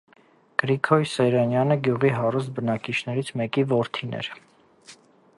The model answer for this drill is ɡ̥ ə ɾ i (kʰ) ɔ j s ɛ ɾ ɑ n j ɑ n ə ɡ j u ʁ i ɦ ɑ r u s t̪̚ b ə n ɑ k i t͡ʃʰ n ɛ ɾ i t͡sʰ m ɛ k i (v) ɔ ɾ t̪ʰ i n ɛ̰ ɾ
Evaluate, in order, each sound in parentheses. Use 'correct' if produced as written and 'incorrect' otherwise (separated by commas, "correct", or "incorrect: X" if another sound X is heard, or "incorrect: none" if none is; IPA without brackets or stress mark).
correct, correct